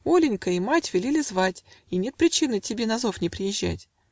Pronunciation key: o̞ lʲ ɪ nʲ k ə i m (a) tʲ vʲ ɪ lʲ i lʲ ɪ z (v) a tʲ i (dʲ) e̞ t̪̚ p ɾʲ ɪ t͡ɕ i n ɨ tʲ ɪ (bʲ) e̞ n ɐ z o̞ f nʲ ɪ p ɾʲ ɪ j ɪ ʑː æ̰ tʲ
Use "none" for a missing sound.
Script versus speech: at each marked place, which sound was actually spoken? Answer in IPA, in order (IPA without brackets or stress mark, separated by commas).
a, v, nʲ, bʲ